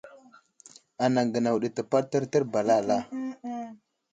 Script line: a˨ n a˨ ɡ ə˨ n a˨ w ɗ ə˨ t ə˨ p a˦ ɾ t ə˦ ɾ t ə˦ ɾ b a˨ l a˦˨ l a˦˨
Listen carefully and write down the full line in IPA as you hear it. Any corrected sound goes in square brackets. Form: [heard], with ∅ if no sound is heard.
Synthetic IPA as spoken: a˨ n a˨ ɡ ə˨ n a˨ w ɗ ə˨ t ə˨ p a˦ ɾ t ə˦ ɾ t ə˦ ɾ b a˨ l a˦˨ l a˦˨